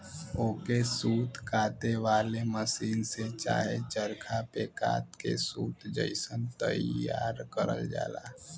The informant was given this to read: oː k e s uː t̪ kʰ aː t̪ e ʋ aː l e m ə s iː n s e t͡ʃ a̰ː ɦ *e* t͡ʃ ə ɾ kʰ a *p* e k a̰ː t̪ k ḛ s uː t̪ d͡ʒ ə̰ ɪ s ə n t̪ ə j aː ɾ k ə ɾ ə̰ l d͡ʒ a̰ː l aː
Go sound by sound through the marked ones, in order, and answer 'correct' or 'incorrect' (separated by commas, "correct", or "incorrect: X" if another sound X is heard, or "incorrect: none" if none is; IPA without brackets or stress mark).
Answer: correct, correct